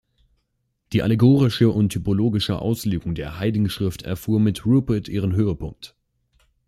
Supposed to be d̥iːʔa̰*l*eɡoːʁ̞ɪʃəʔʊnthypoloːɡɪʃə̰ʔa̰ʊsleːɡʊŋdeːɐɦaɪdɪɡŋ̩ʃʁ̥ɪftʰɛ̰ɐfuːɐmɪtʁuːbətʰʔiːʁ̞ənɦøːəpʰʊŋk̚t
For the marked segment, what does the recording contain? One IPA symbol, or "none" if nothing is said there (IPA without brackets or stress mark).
l